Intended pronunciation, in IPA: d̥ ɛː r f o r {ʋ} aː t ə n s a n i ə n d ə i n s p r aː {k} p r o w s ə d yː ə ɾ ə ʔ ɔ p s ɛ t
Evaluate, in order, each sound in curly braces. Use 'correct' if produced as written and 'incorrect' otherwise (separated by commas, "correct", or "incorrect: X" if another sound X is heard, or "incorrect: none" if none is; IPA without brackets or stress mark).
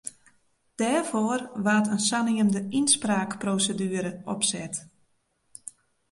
correct, correct